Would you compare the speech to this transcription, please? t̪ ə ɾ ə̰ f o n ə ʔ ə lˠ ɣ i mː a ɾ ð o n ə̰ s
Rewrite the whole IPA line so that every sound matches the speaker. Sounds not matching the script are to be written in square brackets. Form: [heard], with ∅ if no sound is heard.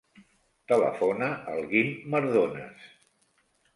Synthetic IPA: t̪ ə [l] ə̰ f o n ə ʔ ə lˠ ɣ i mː [ə] ɾ ð o n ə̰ s